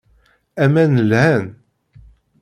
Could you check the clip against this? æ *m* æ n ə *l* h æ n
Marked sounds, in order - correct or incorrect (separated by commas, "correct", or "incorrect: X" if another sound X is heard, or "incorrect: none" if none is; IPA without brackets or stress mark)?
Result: correct, correct